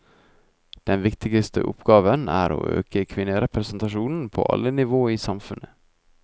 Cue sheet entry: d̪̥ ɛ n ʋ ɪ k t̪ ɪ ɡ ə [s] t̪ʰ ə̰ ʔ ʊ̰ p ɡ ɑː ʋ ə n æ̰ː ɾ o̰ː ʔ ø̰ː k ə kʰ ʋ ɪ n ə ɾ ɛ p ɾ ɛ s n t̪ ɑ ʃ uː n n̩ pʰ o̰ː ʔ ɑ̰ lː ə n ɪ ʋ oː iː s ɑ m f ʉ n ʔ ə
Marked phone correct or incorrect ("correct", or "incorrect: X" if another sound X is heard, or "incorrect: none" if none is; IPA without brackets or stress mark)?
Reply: correct